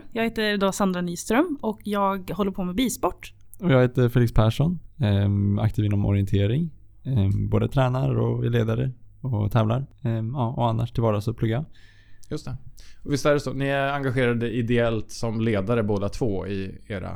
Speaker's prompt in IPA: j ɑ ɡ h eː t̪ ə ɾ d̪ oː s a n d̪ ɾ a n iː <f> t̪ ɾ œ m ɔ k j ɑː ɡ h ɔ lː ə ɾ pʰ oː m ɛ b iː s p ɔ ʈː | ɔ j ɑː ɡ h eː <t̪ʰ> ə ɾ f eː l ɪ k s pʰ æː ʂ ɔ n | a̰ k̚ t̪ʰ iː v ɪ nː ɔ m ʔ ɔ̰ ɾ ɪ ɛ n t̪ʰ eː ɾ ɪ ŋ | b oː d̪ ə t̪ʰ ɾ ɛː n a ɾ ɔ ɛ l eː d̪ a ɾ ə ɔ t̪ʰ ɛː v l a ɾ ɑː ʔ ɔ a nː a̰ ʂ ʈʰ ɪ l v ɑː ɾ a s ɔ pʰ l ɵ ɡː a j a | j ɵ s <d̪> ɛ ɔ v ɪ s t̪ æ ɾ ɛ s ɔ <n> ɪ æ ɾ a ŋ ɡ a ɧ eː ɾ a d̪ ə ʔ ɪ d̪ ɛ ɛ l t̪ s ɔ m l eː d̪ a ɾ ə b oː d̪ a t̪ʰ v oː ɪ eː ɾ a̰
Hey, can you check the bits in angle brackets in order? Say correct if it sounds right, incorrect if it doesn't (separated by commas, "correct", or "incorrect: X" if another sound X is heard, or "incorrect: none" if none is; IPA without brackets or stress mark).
incorrect: s, incorrect: t̪, incorrect: t̪, correct